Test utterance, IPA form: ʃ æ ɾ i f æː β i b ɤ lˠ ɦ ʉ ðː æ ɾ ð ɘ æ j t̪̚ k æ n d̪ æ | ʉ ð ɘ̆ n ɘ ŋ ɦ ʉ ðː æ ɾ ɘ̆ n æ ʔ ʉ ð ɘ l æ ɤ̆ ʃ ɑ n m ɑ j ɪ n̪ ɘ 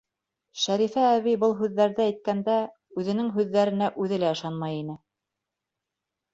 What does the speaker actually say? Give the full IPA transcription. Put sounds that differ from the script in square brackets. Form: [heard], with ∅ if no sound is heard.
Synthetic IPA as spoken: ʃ æ ɾ i f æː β i b ɤ lˠ ɦ ʉ ðː æ ɾ ð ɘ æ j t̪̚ k æ n d̪ æ | ʉ ð ɘ̆ n ɘ ŋ ɦ ʉ ðː æ ɾ ɘ̆ n æ ʔ ʉ ð ɘ l æ ɤ̆ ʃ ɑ n m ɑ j [i] n̪ ɘ